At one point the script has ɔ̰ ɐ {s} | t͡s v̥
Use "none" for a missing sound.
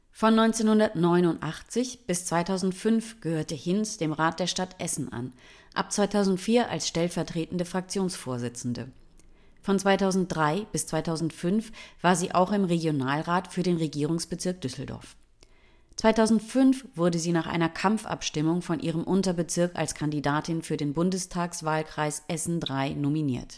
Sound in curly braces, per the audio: f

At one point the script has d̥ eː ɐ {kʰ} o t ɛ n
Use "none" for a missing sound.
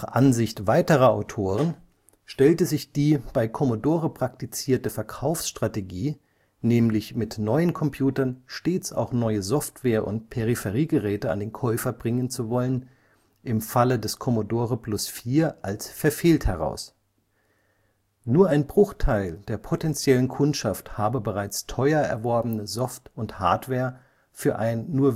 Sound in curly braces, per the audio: pʰ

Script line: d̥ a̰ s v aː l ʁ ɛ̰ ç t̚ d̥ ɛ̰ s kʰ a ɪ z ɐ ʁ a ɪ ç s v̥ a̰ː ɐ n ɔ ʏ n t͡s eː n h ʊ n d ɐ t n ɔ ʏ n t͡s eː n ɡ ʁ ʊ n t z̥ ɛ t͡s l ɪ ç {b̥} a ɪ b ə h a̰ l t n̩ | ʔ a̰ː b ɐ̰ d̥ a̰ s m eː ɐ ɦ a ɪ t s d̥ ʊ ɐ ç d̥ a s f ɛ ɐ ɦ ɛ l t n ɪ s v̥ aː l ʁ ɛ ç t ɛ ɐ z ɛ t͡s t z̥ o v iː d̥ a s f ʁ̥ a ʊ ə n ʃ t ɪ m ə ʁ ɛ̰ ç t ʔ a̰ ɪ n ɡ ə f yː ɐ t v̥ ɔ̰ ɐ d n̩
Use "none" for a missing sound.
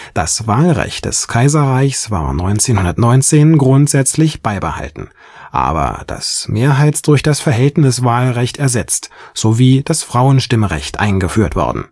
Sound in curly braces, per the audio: b̥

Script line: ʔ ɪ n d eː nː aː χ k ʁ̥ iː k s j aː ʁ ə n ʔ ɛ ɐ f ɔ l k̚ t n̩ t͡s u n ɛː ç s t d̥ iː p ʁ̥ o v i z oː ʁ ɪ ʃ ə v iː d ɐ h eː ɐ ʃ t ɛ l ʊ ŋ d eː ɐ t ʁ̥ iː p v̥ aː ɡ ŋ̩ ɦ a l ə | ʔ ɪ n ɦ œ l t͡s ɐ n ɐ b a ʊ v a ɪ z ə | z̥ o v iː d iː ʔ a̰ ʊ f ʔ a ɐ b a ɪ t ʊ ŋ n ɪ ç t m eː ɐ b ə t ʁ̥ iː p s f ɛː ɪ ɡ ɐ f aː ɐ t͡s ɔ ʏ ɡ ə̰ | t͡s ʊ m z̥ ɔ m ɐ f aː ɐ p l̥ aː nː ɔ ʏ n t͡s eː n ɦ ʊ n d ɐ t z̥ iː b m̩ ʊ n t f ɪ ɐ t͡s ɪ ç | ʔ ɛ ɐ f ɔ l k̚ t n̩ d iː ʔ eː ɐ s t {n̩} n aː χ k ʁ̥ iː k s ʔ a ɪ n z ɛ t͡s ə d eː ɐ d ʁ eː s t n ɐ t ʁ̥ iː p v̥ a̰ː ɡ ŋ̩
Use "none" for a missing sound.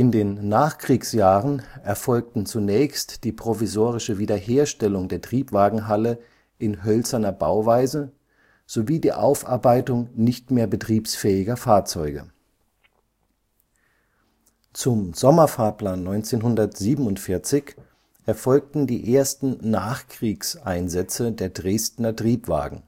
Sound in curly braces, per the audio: n̩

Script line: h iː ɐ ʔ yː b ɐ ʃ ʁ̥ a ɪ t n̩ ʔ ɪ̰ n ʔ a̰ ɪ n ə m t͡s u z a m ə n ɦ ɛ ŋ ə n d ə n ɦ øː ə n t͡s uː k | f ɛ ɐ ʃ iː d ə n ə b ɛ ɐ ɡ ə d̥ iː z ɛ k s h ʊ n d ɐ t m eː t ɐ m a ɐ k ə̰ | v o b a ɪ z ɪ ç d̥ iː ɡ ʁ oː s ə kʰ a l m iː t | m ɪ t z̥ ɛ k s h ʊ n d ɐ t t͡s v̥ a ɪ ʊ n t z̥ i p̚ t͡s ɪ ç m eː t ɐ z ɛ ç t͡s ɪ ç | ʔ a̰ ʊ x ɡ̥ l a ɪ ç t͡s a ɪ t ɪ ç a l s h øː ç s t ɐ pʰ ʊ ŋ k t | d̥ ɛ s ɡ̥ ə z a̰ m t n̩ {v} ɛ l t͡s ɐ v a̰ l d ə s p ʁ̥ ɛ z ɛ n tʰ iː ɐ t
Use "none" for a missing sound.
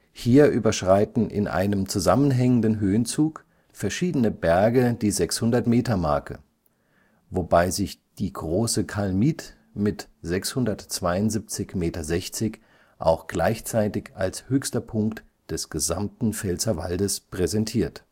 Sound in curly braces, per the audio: f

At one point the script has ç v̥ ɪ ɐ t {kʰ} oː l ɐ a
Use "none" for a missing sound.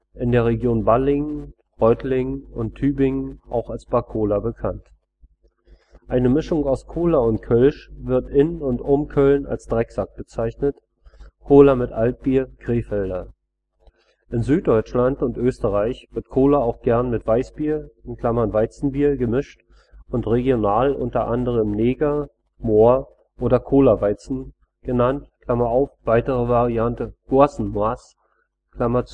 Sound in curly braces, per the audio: kʰ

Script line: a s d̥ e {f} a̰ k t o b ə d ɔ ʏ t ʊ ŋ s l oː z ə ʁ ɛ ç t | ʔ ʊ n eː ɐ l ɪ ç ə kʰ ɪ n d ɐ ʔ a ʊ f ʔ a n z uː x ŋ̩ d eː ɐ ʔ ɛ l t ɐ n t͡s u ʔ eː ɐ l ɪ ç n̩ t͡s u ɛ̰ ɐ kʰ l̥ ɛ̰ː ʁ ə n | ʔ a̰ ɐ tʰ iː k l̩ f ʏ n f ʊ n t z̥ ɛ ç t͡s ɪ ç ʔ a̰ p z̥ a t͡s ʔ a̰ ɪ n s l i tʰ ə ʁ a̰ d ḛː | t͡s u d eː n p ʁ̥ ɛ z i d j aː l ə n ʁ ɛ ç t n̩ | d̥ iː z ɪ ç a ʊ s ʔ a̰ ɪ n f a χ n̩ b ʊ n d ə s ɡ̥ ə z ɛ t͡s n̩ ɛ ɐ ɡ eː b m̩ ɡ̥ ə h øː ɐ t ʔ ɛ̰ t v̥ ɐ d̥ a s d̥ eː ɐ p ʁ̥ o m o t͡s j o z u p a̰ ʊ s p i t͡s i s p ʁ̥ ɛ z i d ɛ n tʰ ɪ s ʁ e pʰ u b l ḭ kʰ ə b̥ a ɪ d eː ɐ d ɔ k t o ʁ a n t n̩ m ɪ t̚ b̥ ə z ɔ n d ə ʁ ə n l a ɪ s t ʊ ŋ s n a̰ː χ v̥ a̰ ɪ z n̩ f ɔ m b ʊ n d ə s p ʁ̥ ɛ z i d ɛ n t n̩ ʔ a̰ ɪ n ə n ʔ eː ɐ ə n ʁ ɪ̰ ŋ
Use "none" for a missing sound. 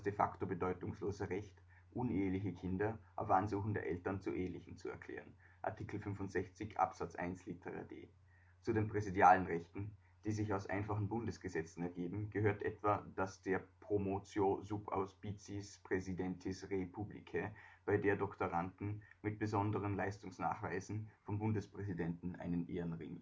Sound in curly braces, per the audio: f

